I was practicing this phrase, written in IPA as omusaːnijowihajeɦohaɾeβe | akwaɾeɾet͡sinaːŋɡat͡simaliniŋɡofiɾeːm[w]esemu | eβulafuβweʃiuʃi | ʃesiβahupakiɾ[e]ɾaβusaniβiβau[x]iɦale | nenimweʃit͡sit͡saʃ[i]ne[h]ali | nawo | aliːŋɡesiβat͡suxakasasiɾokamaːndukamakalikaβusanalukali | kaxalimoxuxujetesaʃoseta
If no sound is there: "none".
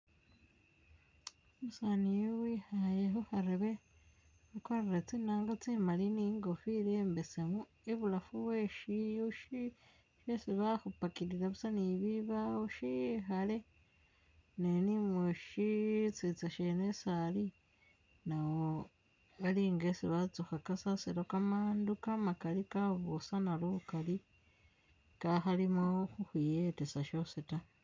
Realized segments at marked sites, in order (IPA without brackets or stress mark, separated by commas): b, i, ʃ, e, s